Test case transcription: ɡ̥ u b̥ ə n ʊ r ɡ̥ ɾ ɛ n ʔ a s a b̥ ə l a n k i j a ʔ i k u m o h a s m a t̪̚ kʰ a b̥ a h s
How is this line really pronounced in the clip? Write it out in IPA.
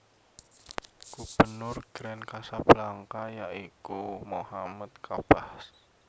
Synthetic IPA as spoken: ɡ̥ u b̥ ə n ʊ r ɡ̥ ɾ ɛ n k a s a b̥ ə l a ŋ k a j a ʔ i k u m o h a m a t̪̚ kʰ a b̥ a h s